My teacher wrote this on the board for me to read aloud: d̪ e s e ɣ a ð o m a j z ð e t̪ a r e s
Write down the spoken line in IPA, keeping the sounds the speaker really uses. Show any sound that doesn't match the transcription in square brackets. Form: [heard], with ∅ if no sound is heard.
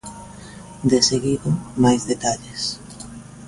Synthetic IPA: d̪ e s e ɣ [i] ð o m a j z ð e t̪ a [ʎ] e s